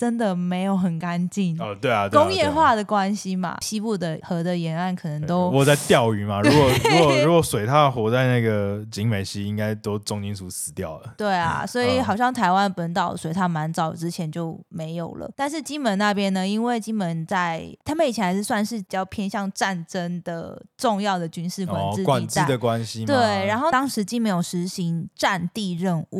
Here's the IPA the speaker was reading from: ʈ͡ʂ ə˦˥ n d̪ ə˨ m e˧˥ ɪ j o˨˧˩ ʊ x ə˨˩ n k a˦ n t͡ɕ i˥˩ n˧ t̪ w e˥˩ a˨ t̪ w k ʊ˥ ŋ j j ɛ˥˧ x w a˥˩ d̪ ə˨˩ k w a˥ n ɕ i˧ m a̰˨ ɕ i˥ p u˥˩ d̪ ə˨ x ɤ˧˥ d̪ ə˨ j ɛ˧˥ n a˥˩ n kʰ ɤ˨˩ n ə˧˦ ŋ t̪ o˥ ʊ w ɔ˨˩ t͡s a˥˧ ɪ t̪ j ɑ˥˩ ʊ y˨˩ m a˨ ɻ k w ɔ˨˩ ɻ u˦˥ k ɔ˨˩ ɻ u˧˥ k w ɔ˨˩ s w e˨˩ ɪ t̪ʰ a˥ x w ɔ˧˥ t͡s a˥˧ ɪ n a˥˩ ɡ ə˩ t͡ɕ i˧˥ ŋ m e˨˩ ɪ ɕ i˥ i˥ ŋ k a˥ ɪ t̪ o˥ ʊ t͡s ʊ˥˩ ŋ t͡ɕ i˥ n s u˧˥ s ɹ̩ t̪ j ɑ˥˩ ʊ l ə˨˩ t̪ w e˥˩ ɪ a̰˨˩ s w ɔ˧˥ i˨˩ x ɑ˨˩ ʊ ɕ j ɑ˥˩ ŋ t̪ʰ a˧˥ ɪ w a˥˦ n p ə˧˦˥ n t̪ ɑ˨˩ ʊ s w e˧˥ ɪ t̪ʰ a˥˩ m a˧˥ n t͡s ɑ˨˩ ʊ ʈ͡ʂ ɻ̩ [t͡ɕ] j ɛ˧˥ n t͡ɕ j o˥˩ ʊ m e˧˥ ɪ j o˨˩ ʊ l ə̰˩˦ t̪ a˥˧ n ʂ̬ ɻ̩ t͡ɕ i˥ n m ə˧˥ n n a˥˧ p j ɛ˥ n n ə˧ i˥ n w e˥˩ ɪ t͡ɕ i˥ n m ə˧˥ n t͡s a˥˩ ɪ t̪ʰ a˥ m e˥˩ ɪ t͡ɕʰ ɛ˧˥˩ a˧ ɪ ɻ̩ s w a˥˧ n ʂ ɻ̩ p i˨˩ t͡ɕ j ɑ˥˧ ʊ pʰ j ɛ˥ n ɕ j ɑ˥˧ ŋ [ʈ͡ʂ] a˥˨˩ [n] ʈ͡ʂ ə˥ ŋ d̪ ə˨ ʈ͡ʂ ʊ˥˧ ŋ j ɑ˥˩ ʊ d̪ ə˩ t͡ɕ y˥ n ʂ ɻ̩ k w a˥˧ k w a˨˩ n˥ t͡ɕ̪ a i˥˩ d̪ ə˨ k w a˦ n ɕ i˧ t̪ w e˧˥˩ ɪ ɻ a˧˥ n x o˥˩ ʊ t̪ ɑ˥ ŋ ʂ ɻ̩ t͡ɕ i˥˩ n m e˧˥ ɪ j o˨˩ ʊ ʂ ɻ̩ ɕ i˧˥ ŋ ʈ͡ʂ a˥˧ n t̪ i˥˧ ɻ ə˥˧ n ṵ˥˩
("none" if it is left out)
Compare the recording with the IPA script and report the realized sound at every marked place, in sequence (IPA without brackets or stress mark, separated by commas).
t͡ɕʰ, ʈ͡ʂ, n